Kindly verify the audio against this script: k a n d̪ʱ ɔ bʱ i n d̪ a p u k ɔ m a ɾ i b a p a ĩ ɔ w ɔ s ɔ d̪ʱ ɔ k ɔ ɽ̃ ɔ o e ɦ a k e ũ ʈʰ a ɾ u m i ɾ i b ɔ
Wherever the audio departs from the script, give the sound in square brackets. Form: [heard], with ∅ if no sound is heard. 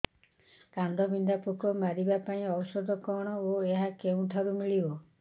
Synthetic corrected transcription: k a n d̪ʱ ɔ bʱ i n d̪ a p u k ɔ m a ɾ i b a p a ĩ ɔ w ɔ s ɔ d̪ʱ ɔ k ɔ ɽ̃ ɔ o e ɦ a k e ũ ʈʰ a ɾ u m i [ɭ] i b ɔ